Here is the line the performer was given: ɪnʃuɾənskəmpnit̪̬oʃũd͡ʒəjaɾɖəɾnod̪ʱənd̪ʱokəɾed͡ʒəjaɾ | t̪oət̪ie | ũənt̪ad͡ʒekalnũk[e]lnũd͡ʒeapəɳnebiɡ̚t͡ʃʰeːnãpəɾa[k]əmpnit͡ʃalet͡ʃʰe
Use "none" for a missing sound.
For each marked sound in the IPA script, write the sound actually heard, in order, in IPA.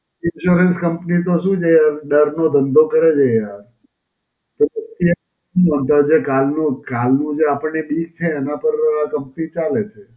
a, k

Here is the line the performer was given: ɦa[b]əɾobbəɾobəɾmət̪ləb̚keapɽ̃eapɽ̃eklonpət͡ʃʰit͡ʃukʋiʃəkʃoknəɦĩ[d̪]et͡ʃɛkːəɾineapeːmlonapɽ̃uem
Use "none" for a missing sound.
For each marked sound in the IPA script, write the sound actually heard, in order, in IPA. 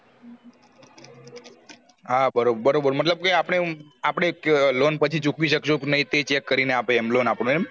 b, t̪

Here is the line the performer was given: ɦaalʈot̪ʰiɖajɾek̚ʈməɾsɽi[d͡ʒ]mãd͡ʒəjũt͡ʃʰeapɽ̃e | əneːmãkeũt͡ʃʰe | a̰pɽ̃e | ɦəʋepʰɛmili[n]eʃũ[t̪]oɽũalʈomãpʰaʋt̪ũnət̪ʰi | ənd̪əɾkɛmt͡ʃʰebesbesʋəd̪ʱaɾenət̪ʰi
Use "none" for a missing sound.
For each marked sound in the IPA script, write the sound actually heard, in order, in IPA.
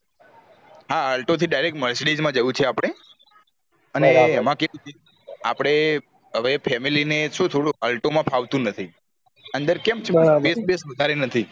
d͡ʒ, n, t̪ʰ

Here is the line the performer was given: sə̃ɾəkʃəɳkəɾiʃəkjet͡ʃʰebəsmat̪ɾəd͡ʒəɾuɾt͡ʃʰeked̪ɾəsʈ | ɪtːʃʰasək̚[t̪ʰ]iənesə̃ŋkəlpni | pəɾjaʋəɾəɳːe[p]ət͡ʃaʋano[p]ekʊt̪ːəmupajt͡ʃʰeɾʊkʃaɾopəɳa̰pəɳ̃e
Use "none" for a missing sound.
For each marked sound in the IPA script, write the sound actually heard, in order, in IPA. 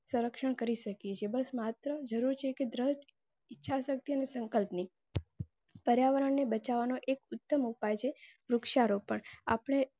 t̪, b, ʔ

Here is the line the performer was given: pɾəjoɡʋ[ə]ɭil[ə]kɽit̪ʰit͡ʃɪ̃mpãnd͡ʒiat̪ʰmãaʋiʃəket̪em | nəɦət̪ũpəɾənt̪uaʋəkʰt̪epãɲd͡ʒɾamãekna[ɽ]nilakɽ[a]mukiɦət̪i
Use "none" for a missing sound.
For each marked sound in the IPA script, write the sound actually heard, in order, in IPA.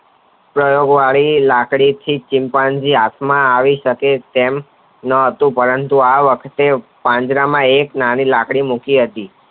a, a, none, i

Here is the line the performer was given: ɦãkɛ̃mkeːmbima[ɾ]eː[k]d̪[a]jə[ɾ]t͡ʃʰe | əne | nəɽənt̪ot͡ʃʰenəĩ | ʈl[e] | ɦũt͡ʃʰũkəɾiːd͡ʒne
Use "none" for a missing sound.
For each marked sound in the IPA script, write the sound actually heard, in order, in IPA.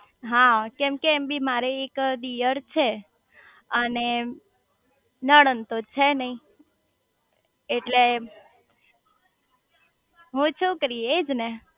ɾ, k, i, ɾ, e

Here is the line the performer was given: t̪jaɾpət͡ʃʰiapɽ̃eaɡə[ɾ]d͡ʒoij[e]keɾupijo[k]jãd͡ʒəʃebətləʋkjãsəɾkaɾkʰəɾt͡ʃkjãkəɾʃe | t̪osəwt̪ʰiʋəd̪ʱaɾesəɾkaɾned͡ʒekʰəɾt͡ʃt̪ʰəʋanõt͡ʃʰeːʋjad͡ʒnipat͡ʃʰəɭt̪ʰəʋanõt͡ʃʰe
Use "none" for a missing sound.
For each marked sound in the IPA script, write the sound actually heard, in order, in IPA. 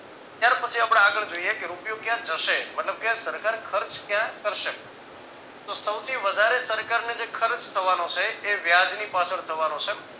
ɭ, e, k

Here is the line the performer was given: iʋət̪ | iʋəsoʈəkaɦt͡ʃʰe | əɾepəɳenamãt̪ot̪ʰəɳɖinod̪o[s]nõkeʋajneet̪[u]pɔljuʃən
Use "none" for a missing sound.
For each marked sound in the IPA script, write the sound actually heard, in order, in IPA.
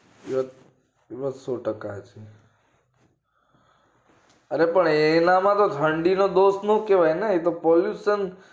s, o

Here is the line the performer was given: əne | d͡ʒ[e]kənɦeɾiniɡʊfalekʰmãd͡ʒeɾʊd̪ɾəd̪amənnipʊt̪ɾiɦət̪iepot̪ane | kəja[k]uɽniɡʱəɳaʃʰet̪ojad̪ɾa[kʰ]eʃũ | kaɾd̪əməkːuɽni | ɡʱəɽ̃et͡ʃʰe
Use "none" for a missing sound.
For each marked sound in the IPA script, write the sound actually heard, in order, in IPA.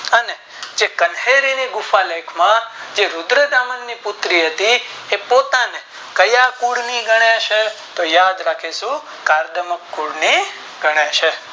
e, k, kʰ

